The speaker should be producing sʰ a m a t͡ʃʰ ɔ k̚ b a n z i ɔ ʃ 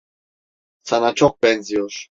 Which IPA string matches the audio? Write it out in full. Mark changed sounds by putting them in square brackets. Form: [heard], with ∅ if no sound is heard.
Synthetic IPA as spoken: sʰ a [n] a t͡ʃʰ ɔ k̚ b [ɛ] n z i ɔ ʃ